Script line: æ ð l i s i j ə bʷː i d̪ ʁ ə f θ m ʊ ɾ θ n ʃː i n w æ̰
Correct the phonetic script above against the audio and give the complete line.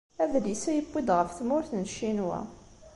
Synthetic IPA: æ ð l i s æ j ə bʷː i d̪ ʁ ə f θ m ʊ ɾ θ n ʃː i n w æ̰